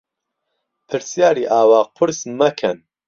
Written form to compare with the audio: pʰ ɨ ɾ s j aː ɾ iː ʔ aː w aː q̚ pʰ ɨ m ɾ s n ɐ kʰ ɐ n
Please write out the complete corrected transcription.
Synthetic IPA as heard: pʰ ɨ ɾ s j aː ɾ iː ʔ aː w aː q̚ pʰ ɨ ɾ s m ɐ kʰ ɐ n

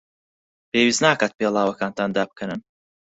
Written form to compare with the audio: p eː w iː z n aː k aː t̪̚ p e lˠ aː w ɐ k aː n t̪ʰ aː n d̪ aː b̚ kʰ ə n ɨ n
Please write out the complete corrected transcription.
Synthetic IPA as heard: p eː w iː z n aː k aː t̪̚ p e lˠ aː w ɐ k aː n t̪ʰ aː n d̪ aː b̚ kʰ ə n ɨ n

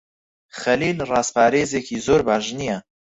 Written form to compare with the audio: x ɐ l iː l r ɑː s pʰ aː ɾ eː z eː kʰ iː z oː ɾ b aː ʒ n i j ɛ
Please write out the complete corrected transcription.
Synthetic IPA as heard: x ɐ l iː l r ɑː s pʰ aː ɾ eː z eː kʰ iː z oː ɾ b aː ʒ n i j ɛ

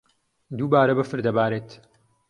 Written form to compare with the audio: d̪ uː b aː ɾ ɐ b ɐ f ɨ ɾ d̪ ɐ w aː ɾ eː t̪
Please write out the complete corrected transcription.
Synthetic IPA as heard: d̪ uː b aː ɾ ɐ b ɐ f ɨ ɾ d̪ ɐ b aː ɾ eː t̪

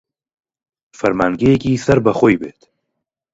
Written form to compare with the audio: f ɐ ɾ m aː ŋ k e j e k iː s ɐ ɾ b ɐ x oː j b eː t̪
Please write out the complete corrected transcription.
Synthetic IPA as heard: f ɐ ɾ m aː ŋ ɡ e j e k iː s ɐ ɾ b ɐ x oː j b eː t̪

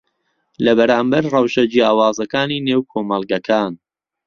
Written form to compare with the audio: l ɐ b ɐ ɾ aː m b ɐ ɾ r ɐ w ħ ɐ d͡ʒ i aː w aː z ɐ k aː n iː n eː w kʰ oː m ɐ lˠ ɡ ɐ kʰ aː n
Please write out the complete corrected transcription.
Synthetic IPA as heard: l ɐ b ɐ ɾ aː m b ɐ ɾ r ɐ w ʃ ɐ d͡ʒ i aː w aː z ɐ k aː n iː n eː w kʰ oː m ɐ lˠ ɡ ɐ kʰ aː n

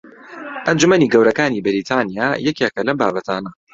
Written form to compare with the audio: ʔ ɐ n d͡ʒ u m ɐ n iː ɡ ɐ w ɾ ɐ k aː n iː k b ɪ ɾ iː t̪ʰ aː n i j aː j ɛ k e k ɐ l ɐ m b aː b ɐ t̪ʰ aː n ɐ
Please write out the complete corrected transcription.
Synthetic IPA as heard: ʔ ɐ n d͡ʒ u m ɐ n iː ɡ ɐ w ɾ ɐ k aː n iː b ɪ ɾ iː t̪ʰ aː n i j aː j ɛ k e k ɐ l ɐ m b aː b ɐ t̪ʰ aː n ɐ

